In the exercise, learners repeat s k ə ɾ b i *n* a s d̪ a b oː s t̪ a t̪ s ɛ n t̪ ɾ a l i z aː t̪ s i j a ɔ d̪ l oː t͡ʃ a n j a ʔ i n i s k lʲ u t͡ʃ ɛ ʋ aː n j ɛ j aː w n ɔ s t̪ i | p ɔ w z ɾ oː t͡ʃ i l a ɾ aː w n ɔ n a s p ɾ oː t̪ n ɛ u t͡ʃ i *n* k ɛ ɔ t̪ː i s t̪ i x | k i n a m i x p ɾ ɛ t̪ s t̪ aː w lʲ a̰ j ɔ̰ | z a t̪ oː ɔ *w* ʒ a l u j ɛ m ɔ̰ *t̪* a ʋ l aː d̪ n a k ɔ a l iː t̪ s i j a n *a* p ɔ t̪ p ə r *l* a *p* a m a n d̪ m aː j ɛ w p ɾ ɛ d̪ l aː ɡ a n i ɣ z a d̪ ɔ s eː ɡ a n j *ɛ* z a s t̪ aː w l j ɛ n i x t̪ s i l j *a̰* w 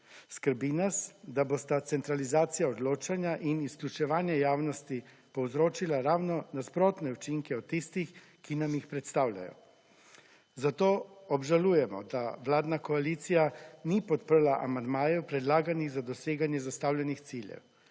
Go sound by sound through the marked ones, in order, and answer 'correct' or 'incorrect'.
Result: correct, incorrect: ŋ, incorrect: b, incorrect: d̪, incorrect: i, correct, incorrect: ʔ, correct, incorrect: ɛ̰

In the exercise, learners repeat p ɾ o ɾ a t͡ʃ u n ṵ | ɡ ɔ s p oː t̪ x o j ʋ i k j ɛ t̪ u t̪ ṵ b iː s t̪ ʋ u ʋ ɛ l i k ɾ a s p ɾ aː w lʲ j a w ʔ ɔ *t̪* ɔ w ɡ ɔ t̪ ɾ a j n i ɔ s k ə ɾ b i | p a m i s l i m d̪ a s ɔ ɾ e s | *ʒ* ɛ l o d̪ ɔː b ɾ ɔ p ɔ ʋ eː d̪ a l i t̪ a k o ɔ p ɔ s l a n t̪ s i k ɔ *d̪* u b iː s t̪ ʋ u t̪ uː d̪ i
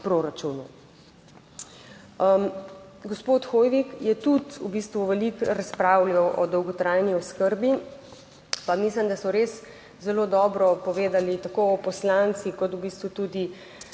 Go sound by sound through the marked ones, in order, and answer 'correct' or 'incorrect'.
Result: incorrect: d̪, incorrect: z, incorrect: t̪

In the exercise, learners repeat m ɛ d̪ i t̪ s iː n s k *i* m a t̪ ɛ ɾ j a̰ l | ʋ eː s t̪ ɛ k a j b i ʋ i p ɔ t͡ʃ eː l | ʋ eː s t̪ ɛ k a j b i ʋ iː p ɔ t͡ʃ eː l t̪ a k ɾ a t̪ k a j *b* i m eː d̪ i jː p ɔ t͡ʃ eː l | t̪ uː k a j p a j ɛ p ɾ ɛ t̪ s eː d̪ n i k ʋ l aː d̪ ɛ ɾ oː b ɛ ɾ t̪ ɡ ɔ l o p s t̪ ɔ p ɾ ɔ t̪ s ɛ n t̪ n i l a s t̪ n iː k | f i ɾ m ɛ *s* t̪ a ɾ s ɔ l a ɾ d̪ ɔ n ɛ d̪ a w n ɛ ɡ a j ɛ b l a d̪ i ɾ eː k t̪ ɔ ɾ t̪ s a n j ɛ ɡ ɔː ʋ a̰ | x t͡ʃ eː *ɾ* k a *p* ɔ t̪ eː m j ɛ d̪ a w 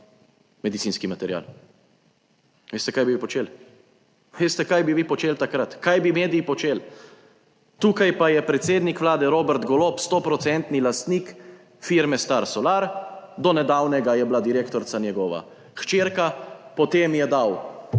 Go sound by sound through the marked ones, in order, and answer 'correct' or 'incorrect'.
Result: correct, correct, correct, correct, correct

